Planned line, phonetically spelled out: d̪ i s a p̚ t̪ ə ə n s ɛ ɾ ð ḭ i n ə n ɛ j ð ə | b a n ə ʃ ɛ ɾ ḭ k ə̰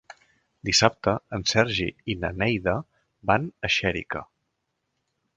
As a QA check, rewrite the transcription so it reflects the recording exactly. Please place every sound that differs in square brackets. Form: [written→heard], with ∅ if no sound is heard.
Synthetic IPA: d̪ i s a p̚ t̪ ə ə n s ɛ ɾ [ð→ʒ] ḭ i n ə n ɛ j ð ə | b a n ə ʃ ɛ ɾ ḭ k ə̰